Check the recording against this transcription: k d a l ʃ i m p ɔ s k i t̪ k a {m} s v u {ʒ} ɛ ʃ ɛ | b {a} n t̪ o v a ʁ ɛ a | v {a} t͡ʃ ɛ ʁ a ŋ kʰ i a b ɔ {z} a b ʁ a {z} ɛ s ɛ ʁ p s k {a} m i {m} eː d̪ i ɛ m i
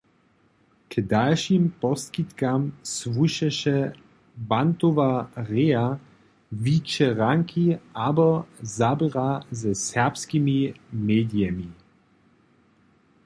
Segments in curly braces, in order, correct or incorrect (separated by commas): correct, incorrect, correct, incorrect, correct, correct, incorrect, correct